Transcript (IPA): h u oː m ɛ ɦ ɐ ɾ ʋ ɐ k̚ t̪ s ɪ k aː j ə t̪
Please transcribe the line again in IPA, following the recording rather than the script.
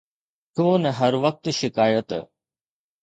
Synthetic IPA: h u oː n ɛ ɦ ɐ ɾ ʋ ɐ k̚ t̪ ʃ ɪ k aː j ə t̪

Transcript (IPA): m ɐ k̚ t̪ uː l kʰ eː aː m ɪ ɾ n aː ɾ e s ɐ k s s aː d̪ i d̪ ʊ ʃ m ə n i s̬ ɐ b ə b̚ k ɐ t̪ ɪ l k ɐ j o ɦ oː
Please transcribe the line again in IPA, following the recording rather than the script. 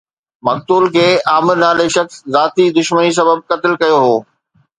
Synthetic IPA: m ɐ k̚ t̪ uː l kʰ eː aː m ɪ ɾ n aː l e ʃ ɐ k s z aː t̪ i d̪ ʊ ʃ m ə n i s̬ ɐ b ə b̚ k ɐ t̪ ɪ l k ɐ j o ɦ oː

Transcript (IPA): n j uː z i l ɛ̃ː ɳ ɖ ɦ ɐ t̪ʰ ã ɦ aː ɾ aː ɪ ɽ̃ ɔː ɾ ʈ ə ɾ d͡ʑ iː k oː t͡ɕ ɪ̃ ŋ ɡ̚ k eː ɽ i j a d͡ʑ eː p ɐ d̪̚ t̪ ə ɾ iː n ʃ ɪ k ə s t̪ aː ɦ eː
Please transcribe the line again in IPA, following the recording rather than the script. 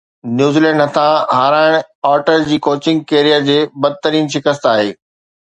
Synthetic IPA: n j uː z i l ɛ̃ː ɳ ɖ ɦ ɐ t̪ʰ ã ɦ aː ɾ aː ɪ ɽ̃ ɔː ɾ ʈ ə ɾ d͡ʑ iː k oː t͡ɕ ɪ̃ ŋ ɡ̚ k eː ɾ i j a d͡ʑ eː b ɐ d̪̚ t̪ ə ɾ iː n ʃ ɪ k ə s t̪ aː ɦ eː

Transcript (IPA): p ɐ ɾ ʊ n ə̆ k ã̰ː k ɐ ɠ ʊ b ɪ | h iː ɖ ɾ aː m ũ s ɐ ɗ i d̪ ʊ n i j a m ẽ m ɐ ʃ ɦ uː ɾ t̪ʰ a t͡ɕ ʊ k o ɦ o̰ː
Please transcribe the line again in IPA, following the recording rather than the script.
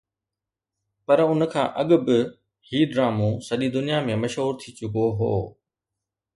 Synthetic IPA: p ɐ ɾ ʊ n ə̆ kʰ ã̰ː ʔ ɐ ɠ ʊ b ɪ | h iː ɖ ɾ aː m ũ s ɐ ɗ i d̪ ʊ n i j a m ẽ m ɐ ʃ ɦ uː ɾ t̪ʰ i t͡ɕ ʊ k o ɦ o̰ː

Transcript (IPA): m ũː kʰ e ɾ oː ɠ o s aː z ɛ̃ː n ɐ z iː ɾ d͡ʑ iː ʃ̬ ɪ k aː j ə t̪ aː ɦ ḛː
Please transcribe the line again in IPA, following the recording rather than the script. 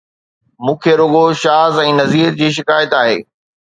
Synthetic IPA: m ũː kʰ e ɾ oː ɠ o ʃ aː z ɛ̃ː n ɐ z iː ɾ d͡ʑ iː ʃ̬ ɪ k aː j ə t̪ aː ɦ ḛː

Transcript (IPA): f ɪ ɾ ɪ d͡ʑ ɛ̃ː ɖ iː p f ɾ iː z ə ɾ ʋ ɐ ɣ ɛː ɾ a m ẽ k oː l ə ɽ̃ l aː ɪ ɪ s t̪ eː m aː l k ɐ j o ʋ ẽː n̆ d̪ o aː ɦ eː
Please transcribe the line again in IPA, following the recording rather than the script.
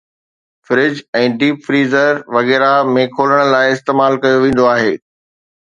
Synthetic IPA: f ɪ ɾ ɪ d͡ʑ ɛ̃ː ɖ iː p f ɾ iː z ə ɾ ʋ ɐ ɣ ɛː ɾ a m ẽ kʰ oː l ə ɽ̃ l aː ɪ ɪ s t̪ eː m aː l k ɐ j o ʋ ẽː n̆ d̪ o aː ɦ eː

